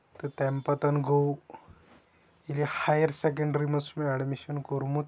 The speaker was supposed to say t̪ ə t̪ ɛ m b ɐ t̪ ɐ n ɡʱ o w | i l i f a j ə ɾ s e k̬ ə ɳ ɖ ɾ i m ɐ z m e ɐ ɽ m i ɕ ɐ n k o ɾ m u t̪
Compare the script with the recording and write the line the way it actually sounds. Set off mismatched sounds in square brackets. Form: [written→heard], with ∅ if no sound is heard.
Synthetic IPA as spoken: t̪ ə t̪ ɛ m [b→p] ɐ t̪ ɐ n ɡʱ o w | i l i [f→h] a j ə ɾ s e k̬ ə ɳ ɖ ɾ i m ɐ [z→s] m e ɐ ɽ m i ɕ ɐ n k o ɾ m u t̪

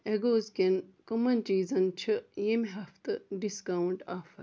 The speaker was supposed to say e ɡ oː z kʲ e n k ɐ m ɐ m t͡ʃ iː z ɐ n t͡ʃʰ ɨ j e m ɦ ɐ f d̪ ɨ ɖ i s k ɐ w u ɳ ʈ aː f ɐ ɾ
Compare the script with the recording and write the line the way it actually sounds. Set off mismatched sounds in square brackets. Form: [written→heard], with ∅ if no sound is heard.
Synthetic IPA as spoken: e ɡ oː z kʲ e n k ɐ m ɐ [m→n] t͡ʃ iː z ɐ n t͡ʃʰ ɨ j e m ɦ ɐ f [d̪→t̪] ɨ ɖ i s k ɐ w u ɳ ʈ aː f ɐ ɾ

